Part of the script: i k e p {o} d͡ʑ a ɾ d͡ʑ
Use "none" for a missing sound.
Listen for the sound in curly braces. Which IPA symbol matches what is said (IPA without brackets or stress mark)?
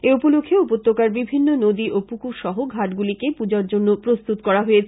u